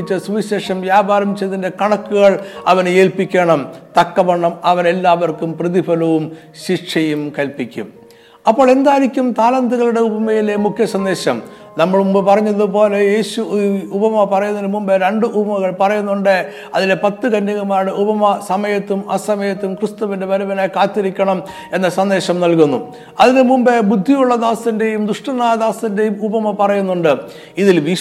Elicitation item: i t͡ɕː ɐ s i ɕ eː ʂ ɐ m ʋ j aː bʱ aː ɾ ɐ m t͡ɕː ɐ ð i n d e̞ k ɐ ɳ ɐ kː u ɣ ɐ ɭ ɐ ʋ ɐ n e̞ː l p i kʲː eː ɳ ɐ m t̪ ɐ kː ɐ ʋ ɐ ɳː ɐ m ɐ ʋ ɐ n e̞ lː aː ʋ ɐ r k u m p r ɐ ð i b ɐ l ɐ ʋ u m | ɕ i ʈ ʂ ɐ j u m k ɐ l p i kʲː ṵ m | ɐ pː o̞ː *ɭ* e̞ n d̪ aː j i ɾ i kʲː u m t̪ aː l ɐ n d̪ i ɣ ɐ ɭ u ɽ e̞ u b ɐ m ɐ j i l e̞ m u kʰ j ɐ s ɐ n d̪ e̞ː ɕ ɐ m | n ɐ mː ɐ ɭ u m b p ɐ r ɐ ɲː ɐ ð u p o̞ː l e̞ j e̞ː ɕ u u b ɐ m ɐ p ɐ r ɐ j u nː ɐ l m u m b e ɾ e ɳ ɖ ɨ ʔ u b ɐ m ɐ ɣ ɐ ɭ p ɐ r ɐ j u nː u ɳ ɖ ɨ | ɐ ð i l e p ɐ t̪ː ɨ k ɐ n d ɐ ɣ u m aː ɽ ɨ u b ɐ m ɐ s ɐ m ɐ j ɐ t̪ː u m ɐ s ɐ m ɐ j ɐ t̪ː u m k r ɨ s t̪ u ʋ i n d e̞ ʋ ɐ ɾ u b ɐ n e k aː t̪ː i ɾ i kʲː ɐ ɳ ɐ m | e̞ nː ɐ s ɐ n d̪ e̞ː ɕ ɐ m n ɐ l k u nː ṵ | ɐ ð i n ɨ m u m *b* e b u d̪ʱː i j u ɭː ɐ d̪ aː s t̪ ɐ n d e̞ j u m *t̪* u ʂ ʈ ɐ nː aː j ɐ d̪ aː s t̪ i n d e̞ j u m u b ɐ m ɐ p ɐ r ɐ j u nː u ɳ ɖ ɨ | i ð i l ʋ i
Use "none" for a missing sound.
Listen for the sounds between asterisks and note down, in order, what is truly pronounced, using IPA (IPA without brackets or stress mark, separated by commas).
ɭ, b, d̪